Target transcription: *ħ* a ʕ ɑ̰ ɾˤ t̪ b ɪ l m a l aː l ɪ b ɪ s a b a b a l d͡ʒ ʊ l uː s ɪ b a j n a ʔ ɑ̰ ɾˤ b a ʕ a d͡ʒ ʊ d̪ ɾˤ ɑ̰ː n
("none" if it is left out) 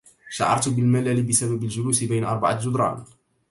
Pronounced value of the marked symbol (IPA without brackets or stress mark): ʃ